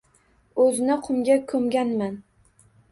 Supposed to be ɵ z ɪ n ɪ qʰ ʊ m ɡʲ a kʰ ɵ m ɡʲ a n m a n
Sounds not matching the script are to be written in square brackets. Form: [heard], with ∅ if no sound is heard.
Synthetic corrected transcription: ɵ z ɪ n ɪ qʰ ʊ m ɡʲ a kʰ ɵ m ɡʲ a n m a n